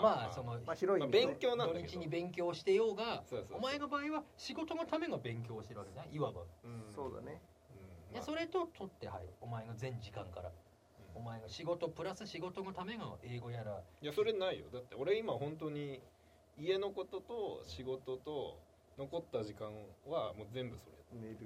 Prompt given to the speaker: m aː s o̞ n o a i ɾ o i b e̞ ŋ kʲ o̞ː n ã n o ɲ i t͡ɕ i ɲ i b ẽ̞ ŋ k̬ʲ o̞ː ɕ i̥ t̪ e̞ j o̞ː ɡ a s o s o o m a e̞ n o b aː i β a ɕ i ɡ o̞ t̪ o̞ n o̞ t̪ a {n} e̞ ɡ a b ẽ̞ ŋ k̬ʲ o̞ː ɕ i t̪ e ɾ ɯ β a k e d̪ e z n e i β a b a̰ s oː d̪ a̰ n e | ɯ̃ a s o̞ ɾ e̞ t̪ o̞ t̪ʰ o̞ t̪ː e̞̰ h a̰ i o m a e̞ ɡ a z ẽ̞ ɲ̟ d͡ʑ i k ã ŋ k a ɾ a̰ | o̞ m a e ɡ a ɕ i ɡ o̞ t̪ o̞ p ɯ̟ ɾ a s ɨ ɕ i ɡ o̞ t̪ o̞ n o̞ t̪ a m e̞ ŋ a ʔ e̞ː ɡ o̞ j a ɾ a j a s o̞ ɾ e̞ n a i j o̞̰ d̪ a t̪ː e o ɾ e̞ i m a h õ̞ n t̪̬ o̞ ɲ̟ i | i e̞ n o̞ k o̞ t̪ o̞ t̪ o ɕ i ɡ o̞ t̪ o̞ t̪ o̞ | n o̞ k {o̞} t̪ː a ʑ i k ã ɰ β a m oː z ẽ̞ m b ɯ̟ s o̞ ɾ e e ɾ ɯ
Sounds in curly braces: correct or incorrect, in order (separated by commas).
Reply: incorrect, correct